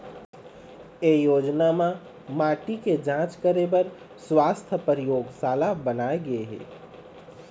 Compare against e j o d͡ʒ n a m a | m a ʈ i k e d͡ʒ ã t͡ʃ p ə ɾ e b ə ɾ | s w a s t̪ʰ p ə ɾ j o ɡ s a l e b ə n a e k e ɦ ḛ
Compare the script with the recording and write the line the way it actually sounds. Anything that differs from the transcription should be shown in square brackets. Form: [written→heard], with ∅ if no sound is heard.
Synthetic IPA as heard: e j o d͡ʒ n a m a | m a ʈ i k e d͡ʒ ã t͡ʃ [p→k] ə ɾ e b ə ɾ | s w a s t̪ʰ p ə ɾ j o ɡ s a l [e→a] b ə n a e [k→ɡ] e ɦ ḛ